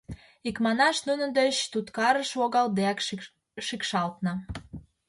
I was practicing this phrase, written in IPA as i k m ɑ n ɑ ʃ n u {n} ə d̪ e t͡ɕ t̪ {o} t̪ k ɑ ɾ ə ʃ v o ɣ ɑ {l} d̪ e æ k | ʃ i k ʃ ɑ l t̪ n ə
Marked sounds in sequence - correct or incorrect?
correct, incorrect: u, correct

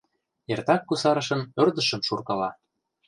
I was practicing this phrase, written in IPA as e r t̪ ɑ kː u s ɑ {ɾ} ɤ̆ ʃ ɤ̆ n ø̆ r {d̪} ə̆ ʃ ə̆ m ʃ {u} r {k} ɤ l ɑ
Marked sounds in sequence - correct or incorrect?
correct, correct, correct, correct

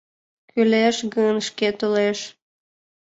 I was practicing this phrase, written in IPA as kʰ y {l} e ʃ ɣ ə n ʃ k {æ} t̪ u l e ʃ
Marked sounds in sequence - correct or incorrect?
correct, incorrect: e

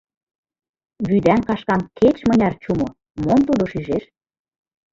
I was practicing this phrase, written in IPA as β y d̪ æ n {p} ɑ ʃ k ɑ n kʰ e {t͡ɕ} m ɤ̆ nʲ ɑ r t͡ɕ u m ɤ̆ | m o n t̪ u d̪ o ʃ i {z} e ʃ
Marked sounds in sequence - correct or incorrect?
incorrect: k, correct, incorrect: ʒ

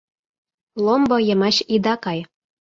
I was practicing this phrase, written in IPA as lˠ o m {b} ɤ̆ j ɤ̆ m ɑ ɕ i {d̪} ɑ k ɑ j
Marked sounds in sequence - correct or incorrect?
correct, correct

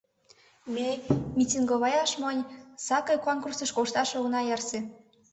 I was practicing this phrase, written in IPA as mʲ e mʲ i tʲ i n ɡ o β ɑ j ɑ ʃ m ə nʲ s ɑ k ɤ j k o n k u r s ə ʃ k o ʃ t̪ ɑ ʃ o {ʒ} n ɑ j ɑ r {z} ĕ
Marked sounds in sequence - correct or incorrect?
incorrect: ɣ, incorrect: s

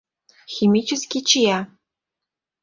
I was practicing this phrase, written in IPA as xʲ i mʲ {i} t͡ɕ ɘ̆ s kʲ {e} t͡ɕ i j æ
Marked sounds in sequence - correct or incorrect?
correct, incorrect: i

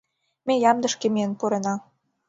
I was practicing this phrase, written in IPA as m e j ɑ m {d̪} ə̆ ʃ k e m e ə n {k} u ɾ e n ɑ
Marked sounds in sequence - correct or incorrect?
correct, incorrect: p

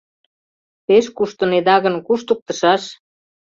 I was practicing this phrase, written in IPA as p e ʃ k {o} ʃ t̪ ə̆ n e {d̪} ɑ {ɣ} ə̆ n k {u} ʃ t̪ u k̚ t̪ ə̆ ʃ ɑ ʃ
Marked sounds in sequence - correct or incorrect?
incorrect: u, correct, correct, correct

